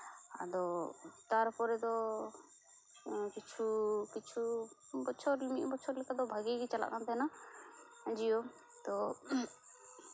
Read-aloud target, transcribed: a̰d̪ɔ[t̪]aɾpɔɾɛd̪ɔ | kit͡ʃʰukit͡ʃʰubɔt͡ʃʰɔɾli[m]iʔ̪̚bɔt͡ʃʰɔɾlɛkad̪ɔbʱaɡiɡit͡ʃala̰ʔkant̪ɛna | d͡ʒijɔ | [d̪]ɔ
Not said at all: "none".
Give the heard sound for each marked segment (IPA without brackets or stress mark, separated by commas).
t̪, m, t̪